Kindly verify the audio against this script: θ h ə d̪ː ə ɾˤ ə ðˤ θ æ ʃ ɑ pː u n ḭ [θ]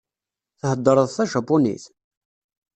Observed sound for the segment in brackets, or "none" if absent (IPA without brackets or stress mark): θ